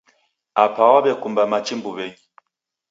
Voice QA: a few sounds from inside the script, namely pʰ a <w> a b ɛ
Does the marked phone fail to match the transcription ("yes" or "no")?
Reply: no